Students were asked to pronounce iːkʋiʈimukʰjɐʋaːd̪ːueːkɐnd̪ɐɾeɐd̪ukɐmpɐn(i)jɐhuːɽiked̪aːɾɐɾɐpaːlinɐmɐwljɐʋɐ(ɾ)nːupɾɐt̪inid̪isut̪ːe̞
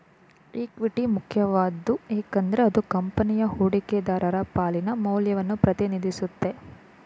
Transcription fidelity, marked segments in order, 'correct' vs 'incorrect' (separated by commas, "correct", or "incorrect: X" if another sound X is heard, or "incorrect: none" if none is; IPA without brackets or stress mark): correct, incorrect: none